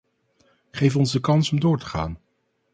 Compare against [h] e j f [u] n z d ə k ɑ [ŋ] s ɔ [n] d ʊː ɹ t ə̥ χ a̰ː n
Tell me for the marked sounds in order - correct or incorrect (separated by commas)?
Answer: incorrect, incorrect, incorrect, incorrect